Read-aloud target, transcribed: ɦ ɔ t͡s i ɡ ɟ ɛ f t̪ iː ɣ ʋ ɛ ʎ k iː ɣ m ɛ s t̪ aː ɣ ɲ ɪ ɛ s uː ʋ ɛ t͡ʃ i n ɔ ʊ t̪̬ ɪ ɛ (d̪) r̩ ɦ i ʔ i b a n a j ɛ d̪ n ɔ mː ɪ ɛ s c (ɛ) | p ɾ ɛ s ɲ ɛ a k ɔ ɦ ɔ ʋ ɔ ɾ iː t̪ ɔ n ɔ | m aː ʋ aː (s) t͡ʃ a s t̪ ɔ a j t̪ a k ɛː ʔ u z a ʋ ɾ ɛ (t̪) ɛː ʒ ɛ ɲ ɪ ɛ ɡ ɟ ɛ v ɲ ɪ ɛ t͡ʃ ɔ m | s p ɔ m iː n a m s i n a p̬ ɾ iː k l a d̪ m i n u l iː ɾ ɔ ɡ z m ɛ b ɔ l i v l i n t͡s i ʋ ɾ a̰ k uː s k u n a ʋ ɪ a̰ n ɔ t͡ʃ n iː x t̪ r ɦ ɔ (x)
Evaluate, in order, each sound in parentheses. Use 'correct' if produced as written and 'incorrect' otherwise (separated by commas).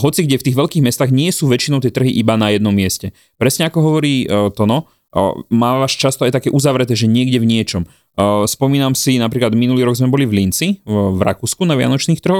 incorrect, correct, incorrect, correct, correct